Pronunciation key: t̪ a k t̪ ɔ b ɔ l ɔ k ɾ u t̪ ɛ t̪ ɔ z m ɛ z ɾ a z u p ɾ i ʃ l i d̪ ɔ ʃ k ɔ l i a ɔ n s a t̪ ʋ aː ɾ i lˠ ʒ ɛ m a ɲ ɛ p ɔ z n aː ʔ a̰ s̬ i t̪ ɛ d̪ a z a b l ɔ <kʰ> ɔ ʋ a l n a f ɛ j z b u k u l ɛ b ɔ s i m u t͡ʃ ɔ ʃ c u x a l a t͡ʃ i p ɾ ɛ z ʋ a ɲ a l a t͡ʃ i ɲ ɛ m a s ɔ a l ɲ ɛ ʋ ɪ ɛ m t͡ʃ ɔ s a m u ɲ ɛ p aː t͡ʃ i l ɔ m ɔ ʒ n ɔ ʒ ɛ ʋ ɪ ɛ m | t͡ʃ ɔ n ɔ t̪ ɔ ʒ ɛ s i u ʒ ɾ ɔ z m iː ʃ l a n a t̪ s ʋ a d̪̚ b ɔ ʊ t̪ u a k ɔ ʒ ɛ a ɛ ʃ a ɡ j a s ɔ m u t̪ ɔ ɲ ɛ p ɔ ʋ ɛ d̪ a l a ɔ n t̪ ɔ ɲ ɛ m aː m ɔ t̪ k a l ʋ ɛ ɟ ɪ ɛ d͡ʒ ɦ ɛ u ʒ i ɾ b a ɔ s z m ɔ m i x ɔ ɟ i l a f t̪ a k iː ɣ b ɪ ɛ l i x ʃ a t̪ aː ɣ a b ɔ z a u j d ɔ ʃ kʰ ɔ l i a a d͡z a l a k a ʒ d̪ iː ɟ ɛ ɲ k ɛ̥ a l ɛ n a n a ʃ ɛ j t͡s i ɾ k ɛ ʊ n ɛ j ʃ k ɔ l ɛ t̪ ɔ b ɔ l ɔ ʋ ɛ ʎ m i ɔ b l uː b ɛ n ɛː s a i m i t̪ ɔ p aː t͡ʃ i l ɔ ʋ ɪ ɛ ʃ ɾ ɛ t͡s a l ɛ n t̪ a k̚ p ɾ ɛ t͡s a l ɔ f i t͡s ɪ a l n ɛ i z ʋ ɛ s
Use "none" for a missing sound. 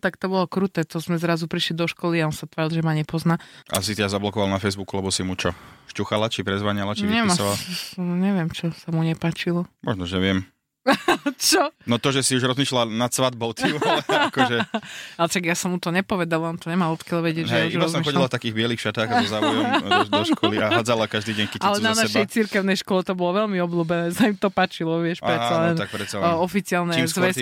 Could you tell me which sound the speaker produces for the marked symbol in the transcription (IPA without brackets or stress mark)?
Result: k